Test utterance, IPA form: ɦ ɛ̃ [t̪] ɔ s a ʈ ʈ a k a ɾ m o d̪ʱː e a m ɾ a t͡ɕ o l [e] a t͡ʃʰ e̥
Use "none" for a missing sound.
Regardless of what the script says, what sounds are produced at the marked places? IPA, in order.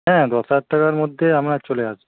d̪, e

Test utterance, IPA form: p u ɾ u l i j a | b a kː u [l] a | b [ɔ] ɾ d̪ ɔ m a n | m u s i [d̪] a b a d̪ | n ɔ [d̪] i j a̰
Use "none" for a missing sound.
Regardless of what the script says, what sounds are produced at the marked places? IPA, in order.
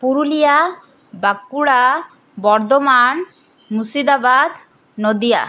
ɽ, ɔ, d̪, d̪

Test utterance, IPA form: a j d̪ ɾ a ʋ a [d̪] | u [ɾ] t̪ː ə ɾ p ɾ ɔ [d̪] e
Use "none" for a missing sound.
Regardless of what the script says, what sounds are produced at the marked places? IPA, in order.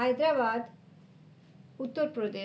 d̪, none, d̪

